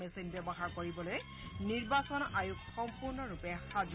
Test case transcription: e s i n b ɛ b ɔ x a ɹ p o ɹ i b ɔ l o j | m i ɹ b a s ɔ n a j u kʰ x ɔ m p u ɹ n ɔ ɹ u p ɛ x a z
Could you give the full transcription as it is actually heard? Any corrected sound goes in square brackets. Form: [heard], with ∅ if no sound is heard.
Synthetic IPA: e s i n b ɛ b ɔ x a ɹ [k] o ɹ i b ɔ l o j | [n] i ɹ b a s ɔ n a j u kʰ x ɔ m p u ɹ n ɔ ɹ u p ɛ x a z